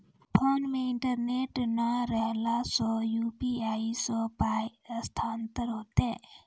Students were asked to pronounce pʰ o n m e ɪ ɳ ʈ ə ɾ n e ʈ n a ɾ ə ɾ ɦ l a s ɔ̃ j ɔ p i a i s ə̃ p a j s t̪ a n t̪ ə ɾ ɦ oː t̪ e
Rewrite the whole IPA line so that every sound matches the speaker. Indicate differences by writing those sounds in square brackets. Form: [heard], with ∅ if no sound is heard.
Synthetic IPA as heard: pʰ o n m e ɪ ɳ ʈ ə ɾ n e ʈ n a ɾ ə [∅] ɦ l a s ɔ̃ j [u] p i a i s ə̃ p a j s [t̪ʰ] a n t̪ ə ɾ ɦ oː t̪ e